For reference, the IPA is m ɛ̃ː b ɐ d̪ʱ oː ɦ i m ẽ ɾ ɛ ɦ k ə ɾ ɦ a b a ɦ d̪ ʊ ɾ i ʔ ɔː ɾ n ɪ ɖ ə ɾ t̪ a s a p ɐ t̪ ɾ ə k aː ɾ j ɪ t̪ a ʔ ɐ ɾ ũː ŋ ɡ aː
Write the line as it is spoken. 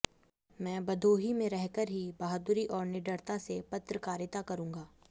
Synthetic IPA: m ɛ̃ː b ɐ d̪ʱ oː ɦ i m ẽ ɾ ɛ ɦ k ə ɾ ɦ i b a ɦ d̪ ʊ ɾ i ʔ ɔː ɾ n ɪ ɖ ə ɾ t̪ a s e p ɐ t̪ ɾ ə k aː ɾ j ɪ t̪ a k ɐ ɾ ũː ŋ ɡ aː